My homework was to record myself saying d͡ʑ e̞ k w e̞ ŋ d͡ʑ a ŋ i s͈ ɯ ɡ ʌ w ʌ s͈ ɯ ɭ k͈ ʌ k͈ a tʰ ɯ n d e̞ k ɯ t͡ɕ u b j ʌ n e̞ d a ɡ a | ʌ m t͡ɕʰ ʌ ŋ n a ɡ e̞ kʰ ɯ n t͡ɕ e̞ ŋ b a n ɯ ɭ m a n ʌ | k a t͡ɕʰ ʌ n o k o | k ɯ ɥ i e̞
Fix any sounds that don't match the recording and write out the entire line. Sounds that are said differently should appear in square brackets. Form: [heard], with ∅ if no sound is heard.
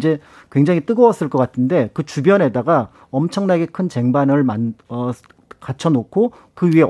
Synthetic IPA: d͡ʑ e̞ k w e̞ ŋ d͡ʑ a ŋ i [t͈] ɯ ɡ ʌ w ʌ s͈ ɯ ɭ k͈ ʌ k͈ a tʰ ɯ n d e̞ k ɯ t͡ɕ u b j ʌ n e̞ d a ɡ a | ʌ m t͡ɕʰ ʌ ŋ n a ɡ e̞ kʰ ɯ n t͡ɕ e̞ ŋ b a n ɯ ɭ m a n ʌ | k a t͡ɕʰ ʌ n o [kʰ] o | k ɯ ɥ i e̞